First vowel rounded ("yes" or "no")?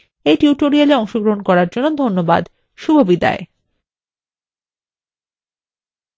no